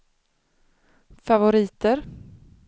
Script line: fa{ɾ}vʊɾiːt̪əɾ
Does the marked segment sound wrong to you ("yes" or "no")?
yes